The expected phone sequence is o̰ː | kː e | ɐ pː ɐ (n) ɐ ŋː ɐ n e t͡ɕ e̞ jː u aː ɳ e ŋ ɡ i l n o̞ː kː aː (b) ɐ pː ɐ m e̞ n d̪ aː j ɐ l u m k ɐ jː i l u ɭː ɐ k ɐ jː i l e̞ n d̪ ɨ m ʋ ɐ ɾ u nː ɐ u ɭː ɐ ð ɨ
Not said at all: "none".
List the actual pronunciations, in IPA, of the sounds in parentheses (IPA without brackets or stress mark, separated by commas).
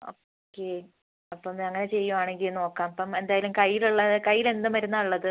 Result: m, m